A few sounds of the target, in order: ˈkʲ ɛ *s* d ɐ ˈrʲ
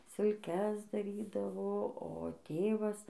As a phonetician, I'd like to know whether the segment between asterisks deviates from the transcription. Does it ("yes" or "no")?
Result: no